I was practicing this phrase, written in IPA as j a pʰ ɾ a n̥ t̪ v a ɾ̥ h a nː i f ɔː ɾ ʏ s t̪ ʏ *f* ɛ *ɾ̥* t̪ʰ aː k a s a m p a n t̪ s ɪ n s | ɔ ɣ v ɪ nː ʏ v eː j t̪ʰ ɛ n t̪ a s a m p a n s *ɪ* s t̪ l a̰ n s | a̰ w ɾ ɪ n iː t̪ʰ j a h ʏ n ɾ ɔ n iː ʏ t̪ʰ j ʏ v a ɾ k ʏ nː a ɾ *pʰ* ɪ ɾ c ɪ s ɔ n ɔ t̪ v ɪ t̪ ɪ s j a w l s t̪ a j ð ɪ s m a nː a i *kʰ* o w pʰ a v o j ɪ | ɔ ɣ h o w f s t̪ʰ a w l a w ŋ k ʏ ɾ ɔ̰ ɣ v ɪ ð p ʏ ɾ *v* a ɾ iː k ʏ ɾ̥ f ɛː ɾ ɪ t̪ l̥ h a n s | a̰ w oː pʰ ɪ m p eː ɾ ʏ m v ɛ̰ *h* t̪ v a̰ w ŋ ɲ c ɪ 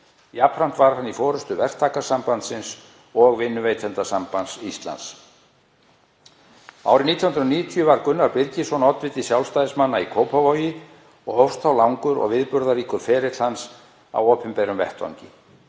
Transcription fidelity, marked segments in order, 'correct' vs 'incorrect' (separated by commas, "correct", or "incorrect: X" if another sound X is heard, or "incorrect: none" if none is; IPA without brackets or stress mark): incorrect: v, incorrect: r̥, incorrect: i, incorrect: p, correct, incorrect: ð, correct